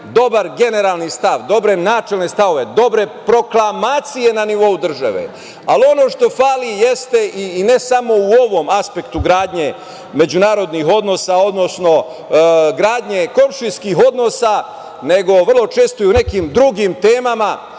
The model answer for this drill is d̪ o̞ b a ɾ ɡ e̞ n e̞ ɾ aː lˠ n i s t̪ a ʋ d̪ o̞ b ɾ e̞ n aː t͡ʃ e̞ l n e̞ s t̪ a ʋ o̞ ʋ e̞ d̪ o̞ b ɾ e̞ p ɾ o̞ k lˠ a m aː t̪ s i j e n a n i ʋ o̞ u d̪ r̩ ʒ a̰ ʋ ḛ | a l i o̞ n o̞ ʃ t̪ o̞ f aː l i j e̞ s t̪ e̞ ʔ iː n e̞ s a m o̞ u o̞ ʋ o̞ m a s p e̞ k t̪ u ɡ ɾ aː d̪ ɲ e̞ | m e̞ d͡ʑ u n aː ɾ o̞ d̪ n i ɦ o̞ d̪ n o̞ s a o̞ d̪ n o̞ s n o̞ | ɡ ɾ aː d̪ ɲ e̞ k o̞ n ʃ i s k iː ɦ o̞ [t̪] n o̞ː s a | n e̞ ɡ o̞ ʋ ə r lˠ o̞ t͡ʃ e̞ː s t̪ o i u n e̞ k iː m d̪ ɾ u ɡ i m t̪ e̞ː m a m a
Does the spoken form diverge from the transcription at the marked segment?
yes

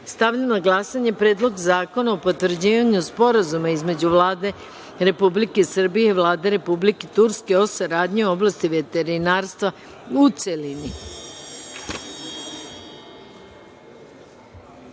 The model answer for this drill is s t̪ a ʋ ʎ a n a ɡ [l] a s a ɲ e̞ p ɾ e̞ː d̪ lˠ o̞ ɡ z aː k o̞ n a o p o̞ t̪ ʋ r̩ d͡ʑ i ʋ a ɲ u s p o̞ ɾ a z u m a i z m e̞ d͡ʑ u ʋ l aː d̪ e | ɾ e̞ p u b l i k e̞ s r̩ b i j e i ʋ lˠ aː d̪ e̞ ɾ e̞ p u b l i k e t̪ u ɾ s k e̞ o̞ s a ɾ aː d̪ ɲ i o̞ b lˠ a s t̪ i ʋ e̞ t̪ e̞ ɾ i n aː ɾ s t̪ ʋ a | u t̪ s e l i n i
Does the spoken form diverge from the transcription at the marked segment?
no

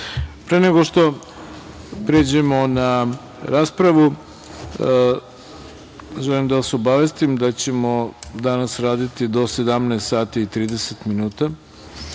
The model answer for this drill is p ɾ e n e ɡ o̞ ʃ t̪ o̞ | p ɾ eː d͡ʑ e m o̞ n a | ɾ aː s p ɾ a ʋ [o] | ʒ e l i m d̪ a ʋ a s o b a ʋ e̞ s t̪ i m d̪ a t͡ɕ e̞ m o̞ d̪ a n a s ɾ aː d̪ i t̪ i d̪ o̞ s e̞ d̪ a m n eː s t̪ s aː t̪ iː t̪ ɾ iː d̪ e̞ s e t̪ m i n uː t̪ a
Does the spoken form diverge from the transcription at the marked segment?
yes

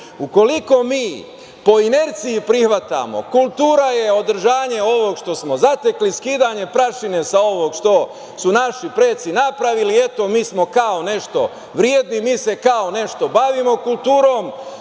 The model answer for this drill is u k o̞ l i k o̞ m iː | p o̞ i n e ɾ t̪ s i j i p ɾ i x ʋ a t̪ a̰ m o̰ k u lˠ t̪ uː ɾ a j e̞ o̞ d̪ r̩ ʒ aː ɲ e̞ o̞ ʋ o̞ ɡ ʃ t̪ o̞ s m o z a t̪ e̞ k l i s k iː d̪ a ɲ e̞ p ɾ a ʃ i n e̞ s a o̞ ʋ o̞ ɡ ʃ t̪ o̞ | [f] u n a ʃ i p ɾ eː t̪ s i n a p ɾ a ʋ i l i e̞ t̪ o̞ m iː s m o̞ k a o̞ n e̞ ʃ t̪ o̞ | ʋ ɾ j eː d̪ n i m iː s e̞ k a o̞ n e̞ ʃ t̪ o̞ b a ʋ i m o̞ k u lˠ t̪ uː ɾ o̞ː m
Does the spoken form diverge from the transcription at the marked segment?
yes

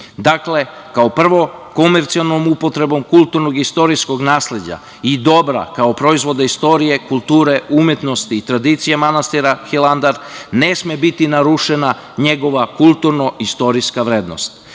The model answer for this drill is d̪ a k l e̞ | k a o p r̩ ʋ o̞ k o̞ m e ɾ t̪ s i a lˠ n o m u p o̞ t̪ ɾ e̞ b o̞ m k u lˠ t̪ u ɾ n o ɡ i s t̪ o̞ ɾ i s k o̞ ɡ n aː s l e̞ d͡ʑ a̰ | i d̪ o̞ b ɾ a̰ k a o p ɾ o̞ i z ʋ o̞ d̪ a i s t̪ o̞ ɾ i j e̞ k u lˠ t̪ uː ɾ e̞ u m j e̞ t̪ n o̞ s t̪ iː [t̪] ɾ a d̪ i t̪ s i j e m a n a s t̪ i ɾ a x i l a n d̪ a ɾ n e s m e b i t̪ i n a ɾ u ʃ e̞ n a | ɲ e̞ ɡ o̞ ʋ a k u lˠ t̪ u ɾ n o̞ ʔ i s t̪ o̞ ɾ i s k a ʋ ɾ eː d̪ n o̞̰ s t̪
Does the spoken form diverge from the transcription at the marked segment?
no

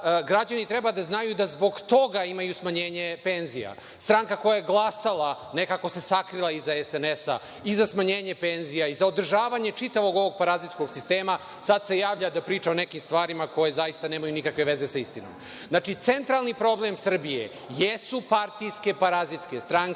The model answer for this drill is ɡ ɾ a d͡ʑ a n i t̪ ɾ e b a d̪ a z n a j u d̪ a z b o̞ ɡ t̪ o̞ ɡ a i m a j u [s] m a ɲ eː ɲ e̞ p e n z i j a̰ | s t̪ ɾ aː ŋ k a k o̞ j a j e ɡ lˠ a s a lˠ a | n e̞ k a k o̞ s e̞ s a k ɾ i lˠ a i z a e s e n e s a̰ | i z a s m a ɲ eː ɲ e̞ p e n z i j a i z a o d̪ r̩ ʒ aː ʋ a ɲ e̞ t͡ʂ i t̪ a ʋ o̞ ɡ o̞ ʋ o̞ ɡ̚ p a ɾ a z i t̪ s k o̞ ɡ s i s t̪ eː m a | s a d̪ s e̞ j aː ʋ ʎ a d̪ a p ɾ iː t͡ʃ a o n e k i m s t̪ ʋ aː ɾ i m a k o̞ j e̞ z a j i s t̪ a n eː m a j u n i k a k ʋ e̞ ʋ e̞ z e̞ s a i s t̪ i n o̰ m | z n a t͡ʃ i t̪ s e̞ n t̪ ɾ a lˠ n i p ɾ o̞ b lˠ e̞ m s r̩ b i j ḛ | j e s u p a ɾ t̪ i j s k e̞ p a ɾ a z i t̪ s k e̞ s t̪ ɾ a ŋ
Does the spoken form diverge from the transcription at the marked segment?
no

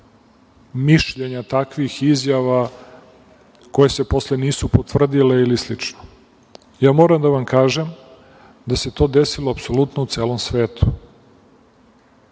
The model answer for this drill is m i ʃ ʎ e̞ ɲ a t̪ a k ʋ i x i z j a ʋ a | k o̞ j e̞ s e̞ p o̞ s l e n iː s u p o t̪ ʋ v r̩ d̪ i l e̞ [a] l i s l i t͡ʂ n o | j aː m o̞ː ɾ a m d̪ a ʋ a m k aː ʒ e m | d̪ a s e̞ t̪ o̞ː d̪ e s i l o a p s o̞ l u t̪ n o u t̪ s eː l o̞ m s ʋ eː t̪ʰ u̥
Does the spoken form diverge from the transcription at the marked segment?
yes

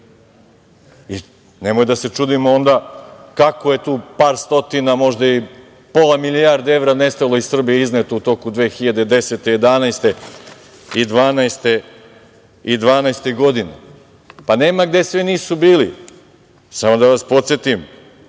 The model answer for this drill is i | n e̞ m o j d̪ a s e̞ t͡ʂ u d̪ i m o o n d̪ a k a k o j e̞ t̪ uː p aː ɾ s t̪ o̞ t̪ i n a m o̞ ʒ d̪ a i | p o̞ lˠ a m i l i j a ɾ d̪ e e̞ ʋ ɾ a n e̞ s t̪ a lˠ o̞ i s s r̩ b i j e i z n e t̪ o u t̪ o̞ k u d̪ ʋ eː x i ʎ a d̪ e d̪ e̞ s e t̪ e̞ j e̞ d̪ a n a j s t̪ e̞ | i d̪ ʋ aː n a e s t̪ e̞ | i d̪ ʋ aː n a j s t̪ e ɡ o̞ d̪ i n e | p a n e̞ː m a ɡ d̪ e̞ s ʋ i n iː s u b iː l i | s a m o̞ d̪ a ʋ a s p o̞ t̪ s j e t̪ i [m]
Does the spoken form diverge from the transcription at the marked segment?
no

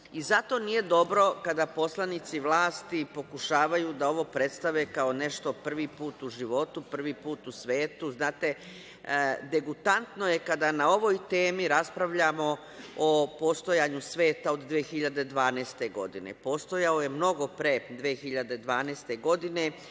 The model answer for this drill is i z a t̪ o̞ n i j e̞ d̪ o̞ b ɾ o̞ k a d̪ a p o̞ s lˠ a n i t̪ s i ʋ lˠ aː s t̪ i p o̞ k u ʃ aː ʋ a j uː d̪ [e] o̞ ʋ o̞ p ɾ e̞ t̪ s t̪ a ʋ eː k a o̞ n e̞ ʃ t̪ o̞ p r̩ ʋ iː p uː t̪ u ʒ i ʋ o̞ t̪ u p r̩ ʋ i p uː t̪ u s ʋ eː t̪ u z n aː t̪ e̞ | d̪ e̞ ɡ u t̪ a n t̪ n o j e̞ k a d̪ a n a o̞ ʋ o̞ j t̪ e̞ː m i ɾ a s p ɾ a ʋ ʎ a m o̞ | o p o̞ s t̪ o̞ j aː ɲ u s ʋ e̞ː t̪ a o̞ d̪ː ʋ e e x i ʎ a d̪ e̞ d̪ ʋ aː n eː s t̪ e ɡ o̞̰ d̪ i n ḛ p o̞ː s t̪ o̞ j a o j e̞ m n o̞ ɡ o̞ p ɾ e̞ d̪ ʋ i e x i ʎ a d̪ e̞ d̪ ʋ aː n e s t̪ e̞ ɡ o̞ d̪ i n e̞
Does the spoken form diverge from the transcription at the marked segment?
yes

